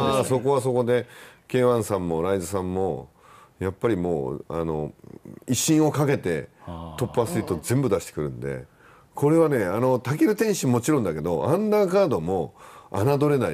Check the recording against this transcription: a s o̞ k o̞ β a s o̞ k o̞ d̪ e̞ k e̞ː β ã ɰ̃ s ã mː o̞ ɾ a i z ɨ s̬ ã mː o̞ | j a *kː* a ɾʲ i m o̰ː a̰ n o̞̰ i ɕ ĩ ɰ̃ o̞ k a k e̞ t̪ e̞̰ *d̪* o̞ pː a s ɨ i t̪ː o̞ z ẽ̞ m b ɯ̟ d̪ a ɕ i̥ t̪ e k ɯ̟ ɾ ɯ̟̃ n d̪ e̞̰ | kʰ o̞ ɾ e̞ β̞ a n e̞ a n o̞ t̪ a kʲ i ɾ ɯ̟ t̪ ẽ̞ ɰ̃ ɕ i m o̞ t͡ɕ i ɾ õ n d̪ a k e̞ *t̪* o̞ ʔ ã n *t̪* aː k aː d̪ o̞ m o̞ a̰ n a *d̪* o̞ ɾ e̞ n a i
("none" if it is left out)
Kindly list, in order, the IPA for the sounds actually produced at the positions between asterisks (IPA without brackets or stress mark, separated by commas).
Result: pː, t̪, d̪, d̪, d̪